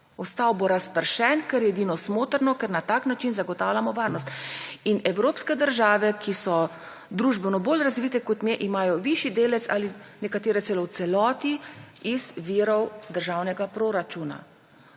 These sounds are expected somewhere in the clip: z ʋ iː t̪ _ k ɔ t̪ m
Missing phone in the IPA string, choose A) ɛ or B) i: A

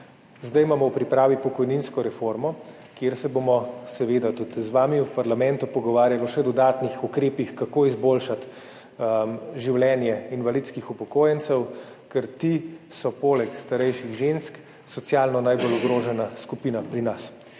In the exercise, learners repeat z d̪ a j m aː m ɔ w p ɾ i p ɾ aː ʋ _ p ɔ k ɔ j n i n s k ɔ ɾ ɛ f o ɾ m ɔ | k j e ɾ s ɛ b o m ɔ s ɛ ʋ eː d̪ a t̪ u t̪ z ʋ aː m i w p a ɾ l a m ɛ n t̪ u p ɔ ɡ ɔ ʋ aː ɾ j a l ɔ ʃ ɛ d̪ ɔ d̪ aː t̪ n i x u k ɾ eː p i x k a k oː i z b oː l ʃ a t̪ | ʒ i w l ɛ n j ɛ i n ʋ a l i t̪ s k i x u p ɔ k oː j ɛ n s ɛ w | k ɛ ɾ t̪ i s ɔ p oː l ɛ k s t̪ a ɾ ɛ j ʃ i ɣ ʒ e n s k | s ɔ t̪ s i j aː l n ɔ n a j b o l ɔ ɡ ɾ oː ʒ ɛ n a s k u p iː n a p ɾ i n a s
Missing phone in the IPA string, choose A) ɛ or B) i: B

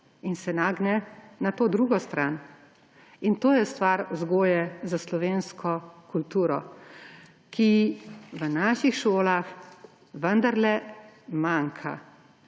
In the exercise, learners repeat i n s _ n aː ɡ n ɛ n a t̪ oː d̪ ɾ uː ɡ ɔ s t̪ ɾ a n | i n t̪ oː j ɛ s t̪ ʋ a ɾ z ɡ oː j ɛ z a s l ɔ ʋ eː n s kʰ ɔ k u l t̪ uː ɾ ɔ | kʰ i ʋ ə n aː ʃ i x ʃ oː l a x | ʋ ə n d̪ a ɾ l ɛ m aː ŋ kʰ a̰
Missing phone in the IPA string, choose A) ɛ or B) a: A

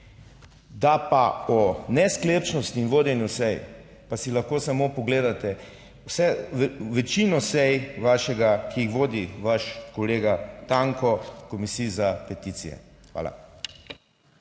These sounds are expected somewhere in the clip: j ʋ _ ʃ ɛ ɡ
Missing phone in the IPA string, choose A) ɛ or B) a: B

